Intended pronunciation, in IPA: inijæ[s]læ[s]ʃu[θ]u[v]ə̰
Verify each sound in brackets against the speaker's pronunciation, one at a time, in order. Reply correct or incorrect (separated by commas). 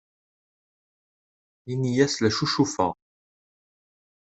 correct, incorrect, incorrect, incorrect